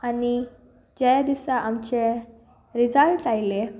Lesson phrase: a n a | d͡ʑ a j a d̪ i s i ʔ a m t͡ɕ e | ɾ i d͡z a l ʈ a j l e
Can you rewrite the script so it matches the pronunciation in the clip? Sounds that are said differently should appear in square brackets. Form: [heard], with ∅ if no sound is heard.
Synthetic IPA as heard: a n [i] | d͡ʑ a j a d̪ i s [a] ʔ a m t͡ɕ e | ɾ i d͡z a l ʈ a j l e